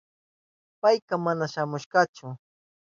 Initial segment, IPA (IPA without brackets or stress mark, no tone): p